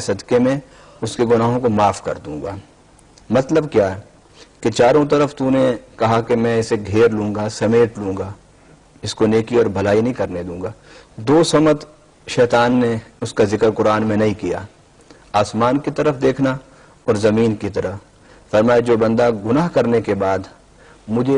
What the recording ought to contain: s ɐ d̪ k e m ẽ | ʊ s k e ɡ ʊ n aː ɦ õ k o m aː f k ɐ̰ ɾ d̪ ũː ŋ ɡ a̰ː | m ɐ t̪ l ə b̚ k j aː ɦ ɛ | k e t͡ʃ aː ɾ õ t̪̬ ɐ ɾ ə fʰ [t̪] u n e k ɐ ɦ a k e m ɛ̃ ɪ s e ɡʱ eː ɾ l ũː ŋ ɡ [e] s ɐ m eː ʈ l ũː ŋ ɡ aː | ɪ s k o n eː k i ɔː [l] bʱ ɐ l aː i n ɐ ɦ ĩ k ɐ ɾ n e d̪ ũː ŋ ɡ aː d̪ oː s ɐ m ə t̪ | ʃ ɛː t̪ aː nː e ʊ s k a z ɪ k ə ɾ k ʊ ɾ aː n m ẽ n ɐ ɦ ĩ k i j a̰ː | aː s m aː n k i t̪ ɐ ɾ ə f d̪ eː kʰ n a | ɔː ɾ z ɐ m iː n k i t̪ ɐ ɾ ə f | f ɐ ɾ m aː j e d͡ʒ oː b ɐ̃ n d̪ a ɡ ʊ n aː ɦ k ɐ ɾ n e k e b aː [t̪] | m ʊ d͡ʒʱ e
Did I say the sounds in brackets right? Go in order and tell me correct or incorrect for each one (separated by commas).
correct, incorrect, incorrect, incorrect